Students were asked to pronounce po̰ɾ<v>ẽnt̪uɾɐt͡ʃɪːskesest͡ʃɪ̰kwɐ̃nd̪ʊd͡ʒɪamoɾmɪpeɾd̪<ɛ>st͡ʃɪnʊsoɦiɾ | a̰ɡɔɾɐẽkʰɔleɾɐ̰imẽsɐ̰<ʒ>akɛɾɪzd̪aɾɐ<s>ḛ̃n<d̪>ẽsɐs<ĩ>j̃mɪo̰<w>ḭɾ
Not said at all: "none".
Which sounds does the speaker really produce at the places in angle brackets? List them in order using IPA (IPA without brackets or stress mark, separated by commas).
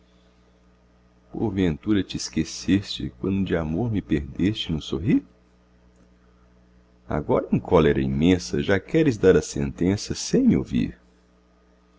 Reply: v, e, ʒ, s, t̪, ẽ, v